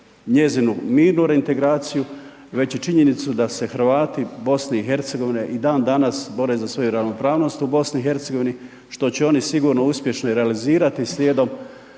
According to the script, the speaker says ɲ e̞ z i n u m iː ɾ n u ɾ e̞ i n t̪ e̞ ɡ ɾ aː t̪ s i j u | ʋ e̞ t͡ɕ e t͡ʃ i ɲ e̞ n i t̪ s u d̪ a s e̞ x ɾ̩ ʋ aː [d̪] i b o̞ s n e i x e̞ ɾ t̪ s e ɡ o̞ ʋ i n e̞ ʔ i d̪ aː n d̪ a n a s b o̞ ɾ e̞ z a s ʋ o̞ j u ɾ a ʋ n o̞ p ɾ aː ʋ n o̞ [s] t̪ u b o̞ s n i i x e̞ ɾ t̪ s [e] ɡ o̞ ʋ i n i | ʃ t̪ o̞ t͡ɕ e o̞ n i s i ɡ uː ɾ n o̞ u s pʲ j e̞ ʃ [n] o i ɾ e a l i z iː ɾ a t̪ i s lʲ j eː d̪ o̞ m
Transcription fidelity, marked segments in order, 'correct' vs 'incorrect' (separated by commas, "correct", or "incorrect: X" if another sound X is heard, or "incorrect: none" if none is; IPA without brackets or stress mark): incorrect: t̪, correct, correct, correct